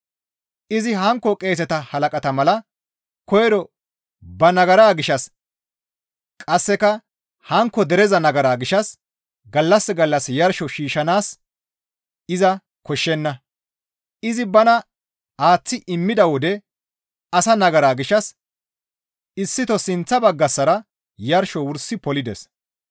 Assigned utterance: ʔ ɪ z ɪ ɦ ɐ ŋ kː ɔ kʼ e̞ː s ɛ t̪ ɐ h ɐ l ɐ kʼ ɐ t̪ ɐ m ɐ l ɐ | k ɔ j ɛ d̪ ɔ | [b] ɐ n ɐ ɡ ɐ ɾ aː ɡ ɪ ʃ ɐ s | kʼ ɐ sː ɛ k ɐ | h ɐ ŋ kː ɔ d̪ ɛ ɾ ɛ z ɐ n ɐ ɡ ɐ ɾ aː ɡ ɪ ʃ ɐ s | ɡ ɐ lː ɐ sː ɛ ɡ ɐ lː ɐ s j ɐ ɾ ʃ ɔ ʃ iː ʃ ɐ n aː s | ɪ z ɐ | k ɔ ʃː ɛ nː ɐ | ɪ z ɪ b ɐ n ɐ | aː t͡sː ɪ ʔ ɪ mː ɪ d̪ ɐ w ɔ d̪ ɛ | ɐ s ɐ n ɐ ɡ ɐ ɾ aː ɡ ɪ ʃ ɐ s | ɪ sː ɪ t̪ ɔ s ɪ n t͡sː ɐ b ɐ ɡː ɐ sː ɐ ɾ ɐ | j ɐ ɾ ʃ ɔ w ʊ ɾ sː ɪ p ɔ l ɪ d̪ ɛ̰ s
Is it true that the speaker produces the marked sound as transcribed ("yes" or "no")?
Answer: yes